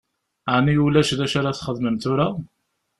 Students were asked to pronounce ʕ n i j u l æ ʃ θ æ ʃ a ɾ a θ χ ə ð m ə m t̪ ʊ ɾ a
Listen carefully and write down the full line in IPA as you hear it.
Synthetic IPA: ʕ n i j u l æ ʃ ð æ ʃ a ɾ a θ χ ə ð m ə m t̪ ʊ ɾ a